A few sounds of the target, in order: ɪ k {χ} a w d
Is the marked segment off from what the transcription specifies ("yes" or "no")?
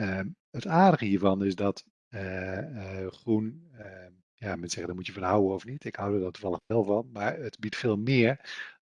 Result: yes